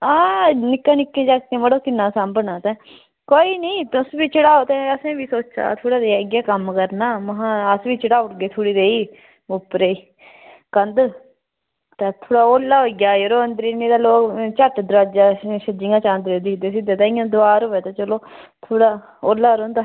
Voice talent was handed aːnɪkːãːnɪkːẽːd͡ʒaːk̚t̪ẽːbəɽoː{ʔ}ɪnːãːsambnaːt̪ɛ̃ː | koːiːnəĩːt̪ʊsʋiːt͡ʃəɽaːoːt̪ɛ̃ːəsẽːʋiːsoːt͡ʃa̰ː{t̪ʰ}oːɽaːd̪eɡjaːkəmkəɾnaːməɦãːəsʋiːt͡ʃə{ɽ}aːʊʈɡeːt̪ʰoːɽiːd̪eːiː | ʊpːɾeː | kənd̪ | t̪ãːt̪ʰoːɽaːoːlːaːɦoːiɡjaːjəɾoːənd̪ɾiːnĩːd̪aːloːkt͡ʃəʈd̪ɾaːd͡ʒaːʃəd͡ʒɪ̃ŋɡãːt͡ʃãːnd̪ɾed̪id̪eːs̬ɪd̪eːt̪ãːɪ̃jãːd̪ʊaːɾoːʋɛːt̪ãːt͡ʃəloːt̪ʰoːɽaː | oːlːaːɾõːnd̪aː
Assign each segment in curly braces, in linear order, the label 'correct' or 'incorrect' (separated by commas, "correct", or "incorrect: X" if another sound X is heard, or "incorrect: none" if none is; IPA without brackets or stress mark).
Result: incorrect: k, correct, correct